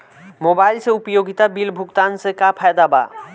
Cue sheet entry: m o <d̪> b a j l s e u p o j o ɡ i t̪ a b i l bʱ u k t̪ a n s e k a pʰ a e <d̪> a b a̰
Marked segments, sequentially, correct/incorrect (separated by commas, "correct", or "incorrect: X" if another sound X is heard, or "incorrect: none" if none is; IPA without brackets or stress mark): incorrect: none, correct